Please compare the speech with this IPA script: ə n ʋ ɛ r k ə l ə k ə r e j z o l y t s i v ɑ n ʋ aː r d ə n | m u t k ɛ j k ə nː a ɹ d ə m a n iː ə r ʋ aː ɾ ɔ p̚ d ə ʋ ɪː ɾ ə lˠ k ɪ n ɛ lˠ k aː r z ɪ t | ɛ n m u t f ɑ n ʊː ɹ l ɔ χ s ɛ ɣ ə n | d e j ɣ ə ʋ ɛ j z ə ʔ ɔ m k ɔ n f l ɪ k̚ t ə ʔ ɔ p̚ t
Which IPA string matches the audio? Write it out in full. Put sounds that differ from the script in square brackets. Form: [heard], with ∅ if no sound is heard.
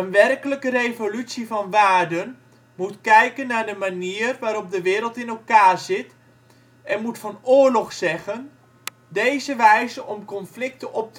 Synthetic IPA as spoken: ə n ʋ ɛ r k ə l ə k ə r e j [v] o l y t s i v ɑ n ʋ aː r d ə n | m u t k ɛ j k ə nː a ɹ d ə m a n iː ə r ʋ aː ɾ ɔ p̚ d ə ʋ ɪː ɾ ə lˠ [t] ɪ n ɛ lˠ k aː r z ɪ t | ɛ n m u t f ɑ n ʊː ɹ l ɔ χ s ɛ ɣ ə n | d e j [z] ə ʋ ɛ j z ə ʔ ɔ m k ɔ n f l ɪ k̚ t ə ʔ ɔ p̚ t